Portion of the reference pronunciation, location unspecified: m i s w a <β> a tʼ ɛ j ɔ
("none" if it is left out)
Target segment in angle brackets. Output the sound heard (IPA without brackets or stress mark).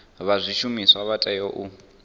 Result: β